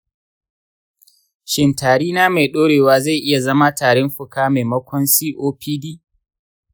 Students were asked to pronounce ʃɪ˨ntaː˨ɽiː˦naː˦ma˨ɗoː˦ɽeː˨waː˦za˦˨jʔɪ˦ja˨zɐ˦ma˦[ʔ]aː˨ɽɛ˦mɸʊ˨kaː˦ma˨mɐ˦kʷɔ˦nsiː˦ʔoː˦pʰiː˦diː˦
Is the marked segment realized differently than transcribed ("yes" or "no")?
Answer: yes